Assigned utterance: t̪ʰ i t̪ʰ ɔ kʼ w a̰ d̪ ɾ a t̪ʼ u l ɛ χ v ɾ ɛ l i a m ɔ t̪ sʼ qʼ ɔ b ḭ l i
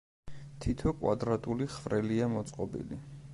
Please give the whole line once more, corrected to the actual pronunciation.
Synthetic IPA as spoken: t̪ʰ i t̪ʰ ɔ kʼ w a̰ d̪ ɾ a t̪ʼ u l i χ v ɾ ɛ l i a m ɔ t̪ sʼ qʼ ɔ b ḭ l i